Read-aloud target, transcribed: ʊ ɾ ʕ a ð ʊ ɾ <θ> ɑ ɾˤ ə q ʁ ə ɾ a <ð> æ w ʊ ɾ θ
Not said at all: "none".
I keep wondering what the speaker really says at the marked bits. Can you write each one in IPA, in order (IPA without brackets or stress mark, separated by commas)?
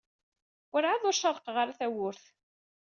ʃ, θ